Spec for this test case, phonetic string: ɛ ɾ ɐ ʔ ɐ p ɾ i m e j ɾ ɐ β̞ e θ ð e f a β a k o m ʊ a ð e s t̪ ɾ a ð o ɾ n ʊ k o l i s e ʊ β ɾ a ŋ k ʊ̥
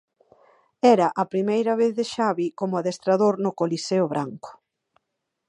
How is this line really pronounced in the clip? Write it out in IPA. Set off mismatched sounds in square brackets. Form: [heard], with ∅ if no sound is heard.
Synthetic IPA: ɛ ɾ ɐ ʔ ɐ p ɾ i m e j ɾ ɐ β̞ e θ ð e [ʃ] a β [i] k o m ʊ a ð e s t̪ ɾ a ð o ɾ n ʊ k o l i s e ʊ β ɾ a ŋ k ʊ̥